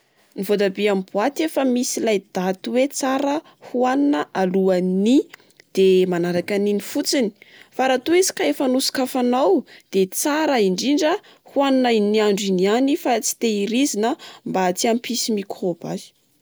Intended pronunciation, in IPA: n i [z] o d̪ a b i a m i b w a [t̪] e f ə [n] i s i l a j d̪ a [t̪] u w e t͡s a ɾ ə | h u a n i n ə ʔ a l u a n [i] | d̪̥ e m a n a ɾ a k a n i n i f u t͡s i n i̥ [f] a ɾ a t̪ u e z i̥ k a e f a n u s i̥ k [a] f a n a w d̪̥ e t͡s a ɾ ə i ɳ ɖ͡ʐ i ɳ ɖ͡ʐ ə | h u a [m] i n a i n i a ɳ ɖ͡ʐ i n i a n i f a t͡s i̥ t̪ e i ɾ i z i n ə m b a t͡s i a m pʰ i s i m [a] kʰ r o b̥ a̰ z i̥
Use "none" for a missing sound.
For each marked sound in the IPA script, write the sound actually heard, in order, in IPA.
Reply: v, t̪, m, t̪, i, f, a, n, i

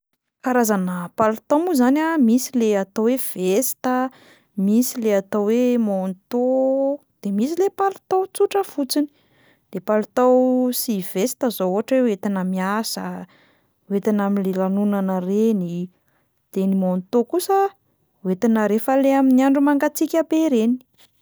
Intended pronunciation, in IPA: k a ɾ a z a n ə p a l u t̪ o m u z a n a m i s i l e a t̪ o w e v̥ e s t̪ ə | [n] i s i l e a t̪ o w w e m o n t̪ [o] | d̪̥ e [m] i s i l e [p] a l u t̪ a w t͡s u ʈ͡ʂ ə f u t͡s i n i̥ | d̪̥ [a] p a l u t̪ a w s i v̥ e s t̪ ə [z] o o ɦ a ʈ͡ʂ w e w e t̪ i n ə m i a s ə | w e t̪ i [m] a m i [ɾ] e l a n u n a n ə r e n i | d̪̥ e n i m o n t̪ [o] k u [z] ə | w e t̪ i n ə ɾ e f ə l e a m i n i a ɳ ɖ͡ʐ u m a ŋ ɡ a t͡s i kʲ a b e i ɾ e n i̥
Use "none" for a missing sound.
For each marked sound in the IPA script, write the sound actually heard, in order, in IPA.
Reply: m, o, m, p, e, z, n, l, o, s

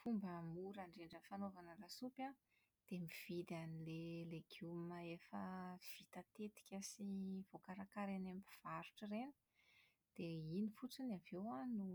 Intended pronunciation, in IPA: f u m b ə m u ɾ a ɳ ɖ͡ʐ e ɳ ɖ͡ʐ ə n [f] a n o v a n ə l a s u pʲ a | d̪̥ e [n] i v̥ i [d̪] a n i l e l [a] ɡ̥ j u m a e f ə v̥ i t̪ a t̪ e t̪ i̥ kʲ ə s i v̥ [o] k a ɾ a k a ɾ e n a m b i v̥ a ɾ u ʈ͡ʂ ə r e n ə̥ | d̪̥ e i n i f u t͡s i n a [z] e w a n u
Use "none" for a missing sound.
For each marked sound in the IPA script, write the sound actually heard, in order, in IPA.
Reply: f, m, d̪, e, o, v

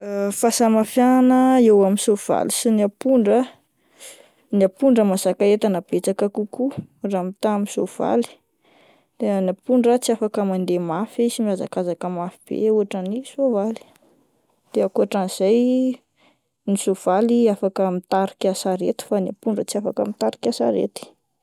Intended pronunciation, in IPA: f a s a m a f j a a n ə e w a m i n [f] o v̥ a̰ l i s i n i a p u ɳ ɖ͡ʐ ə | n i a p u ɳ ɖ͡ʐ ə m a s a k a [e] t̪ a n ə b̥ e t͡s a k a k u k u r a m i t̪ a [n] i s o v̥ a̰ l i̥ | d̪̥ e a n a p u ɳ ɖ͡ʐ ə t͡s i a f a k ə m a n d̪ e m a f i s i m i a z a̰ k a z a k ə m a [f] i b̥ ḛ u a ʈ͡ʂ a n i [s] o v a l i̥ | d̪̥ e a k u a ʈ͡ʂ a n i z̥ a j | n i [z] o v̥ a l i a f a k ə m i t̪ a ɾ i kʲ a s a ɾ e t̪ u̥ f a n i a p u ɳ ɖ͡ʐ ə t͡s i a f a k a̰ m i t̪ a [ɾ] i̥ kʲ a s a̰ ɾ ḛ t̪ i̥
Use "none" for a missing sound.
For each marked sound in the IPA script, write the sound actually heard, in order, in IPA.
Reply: s, e, m, f, s, s, ɾ

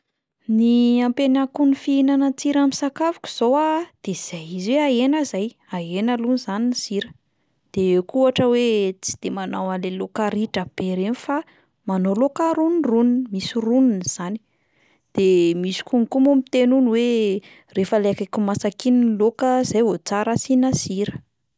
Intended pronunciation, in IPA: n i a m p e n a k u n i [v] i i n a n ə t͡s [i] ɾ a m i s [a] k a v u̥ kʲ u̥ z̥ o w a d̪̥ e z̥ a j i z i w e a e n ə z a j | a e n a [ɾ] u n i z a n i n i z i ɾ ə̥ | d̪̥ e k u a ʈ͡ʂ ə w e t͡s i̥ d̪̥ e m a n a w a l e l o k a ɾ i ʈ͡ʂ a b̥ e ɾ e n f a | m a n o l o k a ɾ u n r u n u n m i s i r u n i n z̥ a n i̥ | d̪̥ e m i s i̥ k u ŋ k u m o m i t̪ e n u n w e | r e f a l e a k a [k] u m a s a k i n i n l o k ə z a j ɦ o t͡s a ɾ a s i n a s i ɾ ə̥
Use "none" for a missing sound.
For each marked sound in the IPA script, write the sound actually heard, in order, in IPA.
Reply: f, i, a, l, k

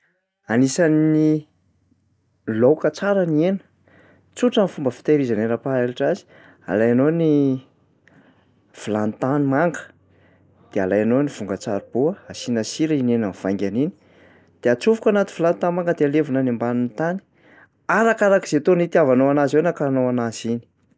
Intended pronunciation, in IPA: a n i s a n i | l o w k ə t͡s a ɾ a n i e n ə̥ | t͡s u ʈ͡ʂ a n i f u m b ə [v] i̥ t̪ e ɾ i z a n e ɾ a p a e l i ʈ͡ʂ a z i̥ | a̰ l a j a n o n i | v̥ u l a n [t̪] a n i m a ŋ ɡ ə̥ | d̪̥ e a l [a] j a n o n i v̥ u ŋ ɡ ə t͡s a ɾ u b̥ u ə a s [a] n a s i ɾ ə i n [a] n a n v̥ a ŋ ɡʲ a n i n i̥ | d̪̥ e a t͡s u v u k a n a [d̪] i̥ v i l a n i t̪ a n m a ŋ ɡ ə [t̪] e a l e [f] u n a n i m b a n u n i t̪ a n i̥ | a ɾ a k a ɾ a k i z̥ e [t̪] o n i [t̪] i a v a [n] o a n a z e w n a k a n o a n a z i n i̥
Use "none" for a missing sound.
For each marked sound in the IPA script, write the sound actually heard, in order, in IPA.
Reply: f, t̪, a, i, e, t̪, d̪, v, t̪, t̪, n

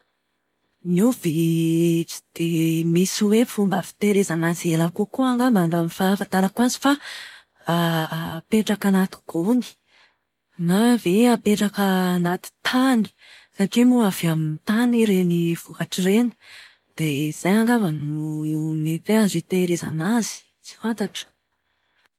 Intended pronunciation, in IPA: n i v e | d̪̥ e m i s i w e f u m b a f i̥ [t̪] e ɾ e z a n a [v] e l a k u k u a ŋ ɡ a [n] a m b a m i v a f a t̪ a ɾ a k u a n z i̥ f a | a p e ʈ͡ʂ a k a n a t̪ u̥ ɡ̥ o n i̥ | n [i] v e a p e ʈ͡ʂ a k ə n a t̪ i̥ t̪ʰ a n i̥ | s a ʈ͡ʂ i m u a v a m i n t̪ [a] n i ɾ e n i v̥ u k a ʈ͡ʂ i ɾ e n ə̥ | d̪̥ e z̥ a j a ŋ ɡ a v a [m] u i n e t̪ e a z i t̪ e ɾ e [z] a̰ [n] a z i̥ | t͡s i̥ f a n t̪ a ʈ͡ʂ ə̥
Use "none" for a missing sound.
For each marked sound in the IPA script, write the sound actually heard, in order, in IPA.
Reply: t̪, z, m, a, a, n, z, n

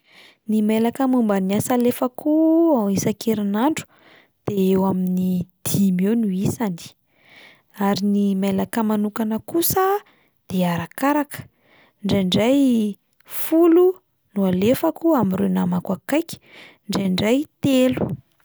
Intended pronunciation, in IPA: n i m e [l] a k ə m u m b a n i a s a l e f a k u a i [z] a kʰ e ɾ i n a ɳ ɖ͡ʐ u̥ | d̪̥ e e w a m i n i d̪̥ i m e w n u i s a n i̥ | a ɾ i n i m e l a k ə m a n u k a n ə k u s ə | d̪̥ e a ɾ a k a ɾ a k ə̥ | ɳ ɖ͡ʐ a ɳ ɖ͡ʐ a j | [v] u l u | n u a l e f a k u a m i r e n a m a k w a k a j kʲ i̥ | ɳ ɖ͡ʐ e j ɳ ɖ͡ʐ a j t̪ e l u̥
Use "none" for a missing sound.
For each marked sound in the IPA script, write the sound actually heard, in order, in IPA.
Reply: l, s, f

